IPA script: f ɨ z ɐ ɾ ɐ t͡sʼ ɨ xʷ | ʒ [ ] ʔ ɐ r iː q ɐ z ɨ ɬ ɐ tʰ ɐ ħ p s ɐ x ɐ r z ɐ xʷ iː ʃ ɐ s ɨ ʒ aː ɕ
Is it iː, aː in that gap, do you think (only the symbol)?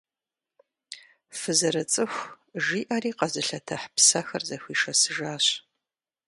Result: iː